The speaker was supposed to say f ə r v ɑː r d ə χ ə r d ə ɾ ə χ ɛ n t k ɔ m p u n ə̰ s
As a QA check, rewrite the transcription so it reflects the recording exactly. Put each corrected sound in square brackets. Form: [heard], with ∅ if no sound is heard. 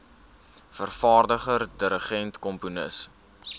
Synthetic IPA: f ə r [f] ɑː r d ə χ ə r d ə ɾ ə χ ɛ n t k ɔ m p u n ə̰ s